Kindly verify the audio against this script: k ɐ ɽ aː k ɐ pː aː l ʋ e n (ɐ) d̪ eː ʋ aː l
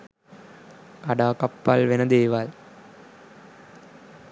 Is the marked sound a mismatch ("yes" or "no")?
no